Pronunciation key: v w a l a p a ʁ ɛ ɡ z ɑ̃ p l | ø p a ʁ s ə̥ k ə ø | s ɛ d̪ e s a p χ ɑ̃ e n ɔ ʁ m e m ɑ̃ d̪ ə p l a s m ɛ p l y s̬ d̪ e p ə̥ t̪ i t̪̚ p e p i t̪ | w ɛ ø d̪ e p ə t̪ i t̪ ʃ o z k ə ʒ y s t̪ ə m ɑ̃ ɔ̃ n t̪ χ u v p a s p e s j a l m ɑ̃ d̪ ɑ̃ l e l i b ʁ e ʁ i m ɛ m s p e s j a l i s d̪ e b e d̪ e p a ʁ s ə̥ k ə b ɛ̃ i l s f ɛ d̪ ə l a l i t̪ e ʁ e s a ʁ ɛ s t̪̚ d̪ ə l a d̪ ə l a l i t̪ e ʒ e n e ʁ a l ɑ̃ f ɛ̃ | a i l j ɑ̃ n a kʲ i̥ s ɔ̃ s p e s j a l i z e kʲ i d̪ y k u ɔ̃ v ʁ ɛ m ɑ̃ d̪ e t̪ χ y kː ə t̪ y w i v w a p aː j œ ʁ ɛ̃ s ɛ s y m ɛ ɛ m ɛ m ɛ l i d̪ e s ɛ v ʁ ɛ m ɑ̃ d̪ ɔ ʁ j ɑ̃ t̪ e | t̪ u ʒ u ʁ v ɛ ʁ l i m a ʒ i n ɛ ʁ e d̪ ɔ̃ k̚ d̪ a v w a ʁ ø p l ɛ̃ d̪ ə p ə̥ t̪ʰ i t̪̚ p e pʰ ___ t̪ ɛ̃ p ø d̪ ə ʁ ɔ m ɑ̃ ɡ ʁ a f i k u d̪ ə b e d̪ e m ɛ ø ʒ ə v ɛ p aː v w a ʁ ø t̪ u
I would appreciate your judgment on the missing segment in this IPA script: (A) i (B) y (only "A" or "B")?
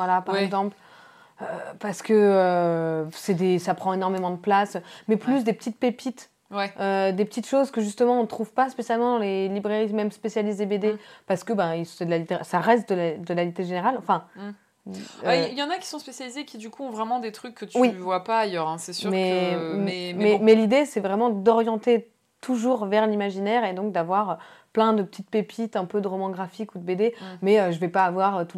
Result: A